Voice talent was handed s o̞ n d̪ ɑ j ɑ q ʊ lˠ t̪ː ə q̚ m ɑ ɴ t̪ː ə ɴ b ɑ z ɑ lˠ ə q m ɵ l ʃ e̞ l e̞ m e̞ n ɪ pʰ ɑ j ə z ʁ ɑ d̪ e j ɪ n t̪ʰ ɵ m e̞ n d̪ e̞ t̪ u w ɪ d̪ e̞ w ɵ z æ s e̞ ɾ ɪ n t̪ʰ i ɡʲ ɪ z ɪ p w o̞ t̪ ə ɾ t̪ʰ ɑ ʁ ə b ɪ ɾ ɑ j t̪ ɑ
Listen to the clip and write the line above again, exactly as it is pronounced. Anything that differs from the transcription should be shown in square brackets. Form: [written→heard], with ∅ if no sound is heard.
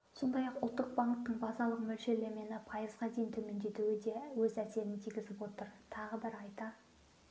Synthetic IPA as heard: s o̞ n d̪ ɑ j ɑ q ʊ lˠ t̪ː ə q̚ [m→b] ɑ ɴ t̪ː ə ɴ b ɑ z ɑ lˠ ə q m ɵ l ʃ e̞ l e̞ m e̞ n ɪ pʰ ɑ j ə z ʁ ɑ d̪ e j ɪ n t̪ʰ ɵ m e̞ n d̪ e̞ t̪ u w ɪ d̪ e̞ w ɵ z æ s e̞ ɾ ɪ n t̪ʰ i ɡʲ ɪ z ɪ p w o̞ t̪ ə ɾ t̪ʰ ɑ ʁ ə b ɪ ɾ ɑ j t̪ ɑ